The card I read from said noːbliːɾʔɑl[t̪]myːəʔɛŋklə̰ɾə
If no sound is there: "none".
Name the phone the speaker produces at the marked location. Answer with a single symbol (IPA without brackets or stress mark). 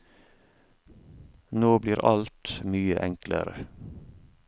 t̪